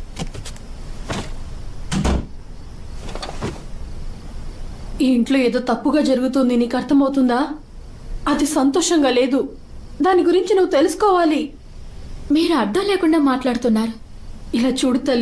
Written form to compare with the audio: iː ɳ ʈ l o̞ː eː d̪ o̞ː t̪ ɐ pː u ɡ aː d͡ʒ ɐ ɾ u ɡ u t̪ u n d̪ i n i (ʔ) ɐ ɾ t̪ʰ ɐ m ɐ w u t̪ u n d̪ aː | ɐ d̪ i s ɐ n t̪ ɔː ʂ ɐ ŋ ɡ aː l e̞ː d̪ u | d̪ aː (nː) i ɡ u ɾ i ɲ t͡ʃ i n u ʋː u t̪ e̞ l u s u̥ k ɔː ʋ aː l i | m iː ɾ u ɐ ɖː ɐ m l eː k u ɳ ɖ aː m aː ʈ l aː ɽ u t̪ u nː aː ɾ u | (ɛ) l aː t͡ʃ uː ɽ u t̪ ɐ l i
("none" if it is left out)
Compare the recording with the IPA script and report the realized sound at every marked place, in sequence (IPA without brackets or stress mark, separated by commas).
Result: k, n, i